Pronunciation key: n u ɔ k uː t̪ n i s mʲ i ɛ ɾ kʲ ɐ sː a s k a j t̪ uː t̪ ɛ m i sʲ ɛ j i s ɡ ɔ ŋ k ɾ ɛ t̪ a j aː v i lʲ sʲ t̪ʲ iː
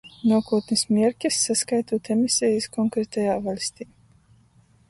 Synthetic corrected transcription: n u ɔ k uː t̪ n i s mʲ i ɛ ɾ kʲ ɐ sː a s k a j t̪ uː t̪ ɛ m i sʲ ɛ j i s k ɔ ŋ k ɾ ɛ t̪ a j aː v a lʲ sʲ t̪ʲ iː